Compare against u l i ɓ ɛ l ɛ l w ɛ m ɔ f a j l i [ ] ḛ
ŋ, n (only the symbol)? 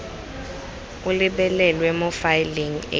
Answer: ŋ